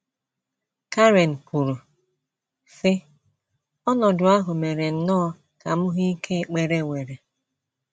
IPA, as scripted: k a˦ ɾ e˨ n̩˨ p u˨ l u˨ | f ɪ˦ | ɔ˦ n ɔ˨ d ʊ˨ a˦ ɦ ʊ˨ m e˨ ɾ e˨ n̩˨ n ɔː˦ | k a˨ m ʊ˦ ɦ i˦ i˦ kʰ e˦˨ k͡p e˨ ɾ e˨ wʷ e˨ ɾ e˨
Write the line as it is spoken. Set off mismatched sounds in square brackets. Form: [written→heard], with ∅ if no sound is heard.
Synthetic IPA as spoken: k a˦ ɾ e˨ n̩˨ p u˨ [l→ɾ] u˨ | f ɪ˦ | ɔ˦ n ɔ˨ d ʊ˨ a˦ ɦ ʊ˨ m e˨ ɾ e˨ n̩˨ n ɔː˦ | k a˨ m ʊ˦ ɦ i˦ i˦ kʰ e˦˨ k͡p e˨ ɾ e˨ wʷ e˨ ɾ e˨